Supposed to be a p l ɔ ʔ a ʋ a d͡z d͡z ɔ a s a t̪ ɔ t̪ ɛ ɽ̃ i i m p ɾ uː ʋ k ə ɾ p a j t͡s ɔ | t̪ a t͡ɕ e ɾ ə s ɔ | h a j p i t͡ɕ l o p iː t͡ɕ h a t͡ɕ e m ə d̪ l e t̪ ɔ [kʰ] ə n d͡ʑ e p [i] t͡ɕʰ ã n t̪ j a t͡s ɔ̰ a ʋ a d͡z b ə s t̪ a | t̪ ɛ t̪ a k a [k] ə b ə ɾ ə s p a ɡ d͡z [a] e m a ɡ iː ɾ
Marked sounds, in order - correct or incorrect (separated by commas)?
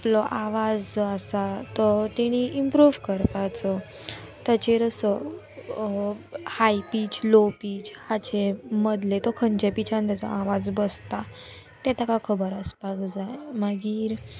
correct, correct, incorrect, correct